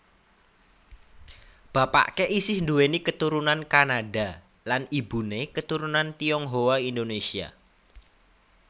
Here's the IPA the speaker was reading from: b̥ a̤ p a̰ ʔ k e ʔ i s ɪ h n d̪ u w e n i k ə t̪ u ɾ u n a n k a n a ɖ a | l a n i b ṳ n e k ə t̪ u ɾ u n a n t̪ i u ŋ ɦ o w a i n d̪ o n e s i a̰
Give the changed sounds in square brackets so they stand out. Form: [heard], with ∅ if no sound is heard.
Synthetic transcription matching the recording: b̥ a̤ p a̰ ʔ k e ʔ i s ɪ h n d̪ u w e n i k ə t̪ u ɾ u n a n k a n a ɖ a | l a n i b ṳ n e k ə t̪ u ɾ u n a n t̪ i [ɔ] ŋ ɦ o w a i n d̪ o n e s i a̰